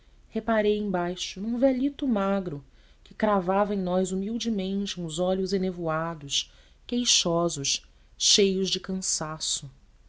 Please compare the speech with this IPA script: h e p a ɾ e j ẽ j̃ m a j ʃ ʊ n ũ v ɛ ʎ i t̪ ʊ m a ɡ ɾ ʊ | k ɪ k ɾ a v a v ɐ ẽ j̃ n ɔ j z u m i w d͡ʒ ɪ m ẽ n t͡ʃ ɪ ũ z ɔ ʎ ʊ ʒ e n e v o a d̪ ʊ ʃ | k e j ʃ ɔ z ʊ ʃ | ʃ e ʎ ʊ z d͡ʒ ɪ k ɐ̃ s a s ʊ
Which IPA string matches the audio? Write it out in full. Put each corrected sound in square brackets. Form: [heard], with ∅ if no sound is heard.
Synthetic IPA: h e p a ɾ e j ẽ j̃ [b] a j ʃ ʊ n ũ v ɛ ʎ i t̪ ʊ m a ɡ ɾ ʊ | k ɪ k ɾ a v a v ɐ ẽ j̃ n ɔ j z u m i w d͡ʒ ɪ m ẽ n t͡ʃ ɪ ũ z ɔ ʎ ʊ [z] e n e v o a d̪ ʊ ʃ | k e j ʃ ɔ z ʊ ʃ | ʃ e [j] ʊ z d͡ʒ ɪ k ɐ̃ s a s ʊ